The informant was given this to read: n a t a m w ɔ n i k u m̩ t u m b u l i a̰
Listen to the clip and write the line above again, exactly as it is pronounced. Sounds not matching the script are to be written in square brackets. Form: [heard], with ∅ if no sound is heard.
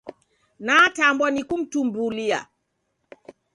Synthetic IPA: n a t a m [b] ɔ n i k u m̩ t u m b u l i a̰